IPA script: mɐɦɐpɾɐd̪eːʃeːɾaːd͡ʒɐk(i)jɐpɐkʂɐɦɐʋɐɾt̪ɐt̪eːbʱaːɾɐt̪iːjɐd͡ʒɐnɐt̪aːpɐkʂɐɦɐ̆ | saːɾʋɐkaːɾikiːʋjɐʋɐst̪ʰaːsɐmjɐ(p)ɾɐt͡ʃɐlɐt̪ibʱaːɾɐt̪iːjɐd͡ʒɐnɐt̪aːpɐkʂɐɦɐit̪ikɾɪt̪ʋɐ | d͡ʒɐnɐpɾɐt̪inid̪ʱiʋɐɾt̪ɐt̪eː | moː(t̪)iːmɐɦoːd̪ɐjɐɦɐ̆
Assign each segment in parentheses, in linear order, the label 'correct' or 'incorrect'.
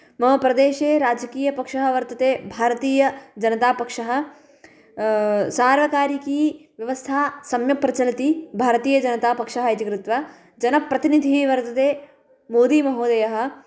incorrect: iː, correct, incorrect: d̪

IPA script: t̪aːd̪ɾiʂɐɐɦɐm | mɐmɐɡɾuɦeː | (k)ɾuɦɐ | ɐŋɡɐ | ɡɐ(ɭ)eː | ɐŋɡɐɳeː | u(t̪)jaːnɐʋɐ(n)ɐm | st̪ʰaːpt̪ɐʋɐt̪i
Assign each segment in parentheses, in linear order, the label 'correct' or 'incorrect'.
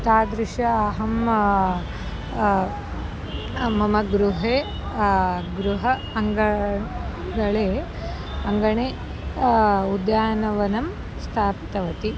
incorrect: ɡ, correct, incorrect: d̪, correct

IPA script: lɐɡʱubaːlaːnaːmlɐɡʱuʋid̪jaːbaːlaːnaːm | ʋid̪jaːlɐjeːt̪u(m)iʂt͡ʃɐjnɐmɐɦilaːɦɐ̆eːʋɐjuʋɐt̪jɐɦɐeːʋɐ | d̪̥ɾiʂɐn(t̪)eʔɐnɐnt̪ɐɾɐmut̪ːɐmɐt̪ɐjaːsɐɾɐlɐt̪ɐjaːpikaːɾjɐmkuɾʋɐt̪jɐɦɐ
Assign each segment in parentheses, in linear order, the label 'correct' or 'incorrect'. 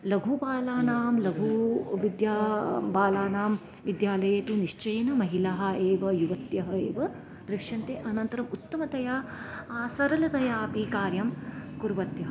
incorrect: n, correct

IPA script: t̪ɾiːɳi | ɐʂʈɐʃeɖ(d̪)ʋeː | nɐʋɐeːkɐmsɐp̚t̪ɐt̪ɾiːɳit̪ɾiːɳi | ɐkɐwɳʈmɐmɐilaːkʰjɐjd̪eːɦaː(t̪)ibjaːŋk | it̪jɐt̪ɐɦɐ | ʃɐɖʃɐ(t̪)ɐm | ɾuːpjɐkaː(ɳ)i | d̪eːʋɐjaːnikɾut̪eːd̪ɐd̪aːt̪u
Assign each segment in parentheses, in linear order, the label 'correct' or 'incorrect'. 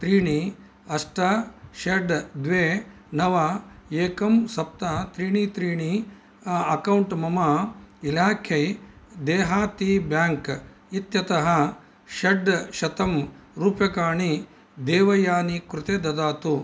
correct, correct, correct, correct

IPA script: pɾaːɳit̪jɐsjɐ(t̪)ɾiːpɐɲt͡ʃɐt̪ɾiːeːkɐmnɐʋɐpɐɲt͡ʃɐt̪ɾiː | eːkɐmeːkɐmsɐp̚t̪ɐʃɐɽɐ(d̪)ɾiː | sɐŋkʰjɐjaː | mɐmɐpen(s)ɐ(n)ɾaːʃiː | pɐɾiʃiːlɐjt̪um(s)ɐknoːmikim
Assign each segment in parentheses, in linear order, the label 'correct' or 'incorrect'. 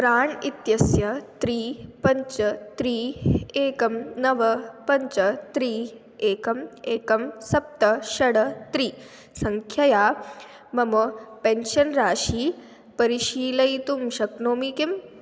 correct, incorrect: t̪, incorrect: ʃ, correct, incorrect: ʃ

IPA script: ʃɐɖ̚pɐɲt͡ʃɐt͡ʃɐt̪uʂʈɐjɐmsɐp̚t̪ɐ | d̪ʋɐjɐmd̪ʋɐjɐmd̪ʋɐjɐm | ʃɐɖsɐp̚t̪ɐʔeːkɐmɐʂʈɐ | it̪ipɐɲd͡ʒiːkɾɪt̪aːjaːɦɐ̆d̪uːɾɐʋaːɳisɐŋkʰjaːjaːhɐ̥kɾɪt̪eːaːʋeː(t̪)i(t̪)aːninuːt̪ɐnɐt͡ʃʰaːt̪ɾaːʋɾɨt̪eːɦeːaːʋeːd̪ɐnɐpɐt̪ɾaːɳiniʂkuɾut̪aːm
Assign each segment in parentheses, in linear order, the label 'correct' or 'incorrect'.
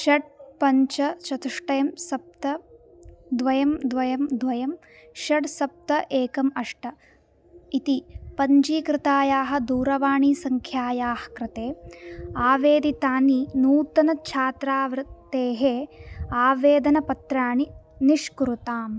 incorrect: d̪, correct

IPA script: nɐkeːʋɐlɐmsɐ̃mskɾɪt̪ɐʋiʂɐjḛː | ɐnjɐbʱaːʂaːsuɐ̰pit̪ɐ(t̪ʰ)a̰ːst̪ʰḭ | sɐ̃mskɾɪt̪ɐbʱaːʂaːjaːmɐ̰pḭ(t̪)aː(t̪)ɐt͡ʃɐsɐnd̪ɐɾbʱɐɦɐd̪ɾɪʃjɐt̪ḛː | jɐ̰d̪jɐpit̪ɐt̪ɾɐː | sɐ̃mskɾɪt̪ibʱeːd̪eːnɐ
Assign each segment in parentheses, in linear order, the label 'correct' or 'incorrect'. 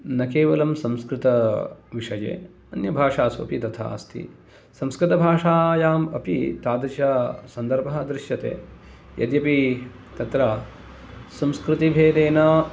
correct, correct, incorrect: d̪

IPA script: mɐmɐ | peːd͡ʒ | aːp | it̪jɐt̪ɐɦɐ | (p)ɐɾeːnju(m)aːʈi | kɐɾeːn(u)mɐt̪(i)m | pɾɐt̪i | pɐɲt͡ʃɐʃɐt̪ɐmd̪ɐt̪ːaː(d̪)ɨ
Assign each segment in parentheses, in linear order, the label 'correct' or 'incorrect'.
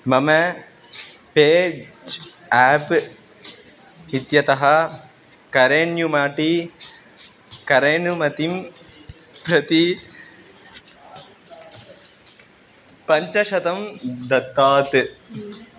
incorrect: k, correct, correct, correct, incorrect: t̪

